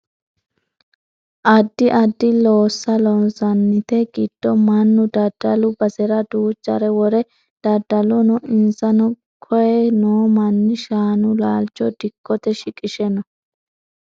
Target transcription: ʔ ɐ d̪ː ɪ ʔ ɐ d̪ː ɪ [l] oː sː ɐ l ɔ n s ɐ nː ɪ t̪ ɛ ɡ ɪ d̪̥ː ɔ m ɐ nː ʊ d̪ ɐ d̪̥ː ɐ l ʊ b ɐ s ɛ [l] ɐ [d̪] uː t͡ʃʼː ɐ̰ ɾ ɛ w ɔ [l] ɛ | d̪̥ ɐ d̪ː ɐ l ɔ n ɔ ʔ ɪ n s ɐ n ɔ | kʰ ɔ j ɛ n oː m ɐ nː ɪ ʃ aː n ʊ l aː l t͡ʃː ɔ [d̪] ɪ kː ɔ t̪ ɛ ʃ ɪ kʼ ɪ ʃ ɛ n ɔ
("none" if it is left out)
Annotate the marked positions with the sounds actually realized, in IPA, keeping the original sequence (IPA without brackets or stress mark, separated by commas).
l, ɾ, d̪, ɾ, d̪